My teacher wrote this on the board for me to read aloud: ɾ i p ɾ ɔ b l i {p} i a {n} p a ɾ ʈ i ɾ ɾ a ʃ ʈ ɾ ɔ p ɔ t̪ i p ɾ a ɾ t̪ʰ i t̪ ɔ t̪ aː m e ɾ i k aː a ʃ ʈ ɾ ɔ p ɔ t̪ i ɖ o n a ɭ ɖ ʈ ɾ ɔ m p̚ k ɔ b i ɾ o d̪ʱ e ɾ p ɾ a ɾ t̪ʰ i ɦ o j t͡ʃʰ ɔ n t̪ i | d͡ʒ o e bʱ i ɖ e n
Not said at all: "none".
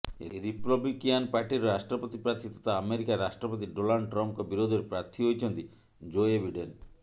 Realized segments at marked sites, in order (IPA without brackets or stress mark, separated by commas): k, n